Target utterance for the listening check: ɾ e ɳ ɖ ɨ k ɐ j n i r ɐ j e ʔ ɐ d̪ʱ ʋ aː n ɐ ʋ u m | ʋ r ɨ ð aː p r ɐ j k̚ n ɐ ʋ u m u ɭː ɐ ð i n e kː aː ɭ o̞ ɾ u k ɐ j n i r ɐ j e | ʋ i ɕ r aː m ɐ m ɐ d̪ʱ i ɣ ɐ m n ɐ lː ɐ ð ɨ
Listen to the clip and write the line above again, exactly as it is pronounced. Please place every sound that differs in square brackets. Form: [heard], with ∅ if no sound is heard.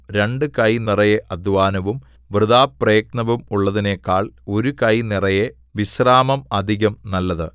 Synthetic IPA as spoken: ɾ e ɳ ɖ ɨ k ɐ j n i r ɐ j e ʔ ɐ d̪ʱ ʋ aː n ɐ ʋ u m | ʋ r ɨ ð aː p r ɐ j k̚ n ɐ ʋ u m u ɭː ɐ ð i n e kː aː ɭ o̞ ɾ u k ɐ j n i r ɐ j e | ʋ i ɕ r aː m ɐ m ɐ d̪ʱ i ɣ ɐ m n ɐ lː ɐ ð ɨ